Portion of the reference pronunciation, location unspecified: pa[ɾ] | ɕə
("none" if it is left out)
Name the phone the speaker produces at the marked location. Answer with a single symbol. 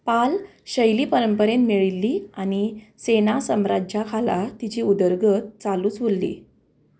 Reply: l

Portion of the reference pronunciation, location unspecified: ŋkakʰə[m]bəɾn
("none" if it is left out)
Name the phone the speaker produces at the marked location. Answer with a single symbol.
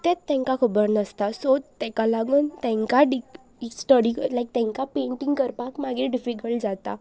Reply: none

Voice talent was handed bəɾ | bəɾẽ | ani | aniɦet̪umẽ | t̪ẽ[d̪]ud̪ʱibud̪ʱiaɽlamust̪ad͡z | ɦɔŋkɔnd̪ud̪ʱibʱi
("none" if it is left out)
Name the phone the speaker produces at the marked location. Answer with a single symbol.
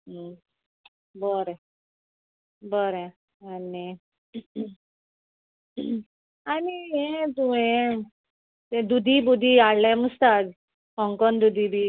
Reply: d̪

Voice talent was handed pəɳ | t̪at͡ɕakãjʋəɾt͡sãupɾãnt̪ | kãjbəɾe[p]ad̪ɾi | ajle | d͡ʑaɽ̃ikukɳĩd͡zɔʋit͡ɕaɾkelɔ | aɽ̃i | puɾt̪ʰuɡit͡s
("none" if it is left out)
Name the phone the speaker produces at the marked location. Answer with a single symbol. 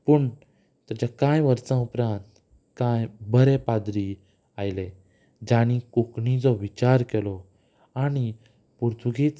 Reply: p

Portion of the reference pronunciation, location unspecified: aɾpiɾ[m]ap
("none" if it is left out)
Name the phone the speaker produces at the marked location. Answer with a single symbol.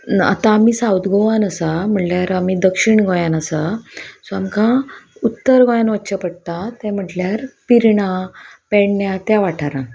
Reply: ɳ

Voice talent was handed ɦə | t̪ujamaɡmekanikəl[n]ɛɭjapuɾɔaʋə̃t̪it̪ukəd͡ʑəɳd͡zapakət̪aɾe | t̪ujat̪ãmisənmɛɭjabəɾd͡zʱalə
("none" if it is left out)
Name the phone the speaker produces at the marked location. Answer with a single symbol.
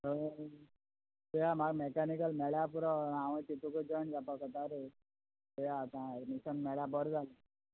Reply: m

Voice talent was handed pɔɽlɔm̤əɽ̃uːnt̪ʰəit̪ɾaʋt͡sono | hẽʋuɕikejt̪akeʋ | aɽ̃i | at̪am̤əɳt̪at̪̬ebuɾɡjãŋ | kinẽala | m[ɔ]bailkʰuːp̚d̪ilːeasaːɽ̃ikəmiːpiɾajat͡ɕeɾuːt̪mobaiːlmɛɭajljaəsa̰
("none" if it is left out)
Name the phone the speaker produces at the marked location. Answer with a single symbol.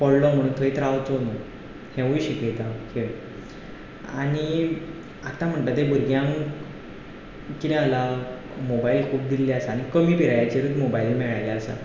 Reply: o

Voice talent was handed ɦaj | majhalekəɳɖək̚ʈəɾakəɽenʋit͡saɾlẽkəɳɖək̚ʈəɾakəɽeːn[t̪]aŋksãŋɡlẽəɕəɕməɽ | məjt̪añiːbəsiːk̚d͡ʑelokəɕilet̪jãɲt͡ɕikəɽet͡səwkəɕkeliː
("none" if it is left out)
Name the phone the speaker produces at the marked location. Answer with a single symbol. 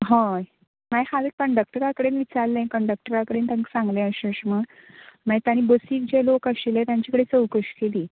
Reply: t̪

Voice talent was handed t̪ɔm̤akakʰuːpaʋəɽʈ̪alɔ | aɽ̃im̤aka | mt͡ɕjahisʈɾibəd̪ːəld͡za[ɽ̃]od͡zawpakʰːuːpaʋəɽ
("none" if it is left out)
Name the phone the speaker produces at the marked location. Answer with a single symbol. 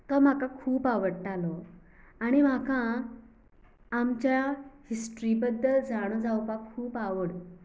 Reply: ɽ̃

